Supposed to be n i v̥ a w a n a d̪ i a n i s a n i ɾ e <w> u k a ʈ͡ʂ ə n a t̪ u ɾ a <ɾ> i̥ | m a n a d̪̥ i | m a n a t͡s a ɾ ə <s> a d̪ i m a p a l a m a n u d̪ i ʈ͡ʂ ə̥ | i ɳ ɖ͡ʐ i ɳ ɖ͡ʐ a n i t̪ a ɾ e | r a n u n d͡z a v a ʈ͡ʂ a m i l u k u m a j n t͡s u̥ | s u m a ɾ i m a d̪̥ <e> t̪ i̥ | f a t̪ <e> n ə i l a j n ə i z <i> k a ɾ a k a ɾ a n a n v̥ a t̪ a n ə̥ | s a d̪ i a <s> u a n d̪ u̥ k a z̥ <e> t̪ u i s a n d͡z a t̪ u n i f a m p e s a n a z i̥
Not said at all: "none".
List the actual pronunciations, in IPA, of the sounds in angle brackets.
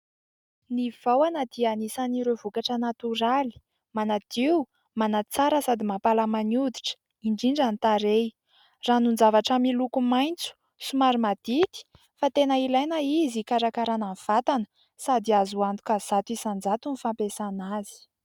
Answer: v, l, s, i, e, i, z, a

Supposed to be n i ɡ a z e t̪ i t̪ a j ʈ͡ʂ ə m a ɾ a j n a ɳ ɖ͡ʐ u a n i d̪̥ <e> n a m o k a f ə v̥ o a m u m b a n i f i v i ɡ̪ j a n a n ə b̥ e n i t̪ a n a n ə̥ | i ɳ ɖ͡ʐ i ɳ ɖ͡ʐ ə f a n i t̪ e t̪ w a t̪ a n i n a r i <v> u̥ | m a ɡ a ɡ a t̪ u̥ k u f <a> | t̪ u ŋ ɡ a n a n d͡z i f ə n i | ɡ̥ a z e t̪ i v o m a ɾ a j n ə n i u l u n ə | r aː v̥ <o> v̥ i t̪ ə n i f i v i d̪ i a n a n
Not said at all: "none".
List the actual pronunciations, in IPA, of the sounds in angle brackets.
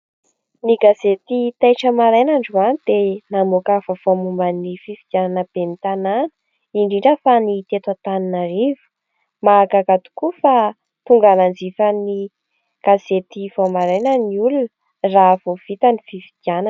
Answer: e, v, a, o

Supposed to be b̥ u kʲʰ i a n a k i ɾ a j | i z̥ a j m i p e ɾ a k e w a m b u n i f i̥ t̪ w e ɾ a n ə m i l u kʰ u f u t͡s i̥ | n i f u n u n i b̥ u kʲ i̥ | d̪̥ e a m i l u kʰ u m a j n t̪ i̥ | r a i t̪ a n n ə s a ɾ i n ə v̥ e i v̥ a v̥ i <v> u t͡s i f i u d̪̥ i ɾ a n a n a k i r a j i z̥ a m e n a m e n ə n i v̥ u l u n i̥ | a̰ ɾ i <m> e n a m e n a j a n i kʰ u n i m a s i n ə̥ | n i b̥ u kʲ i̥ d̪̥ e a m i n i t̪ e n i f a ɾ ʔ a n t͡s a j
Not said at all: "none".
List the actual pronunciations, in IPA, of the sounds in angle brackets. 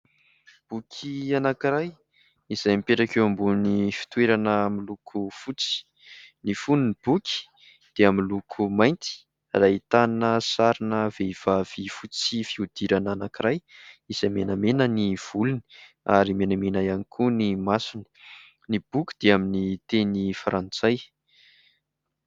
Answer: f, m

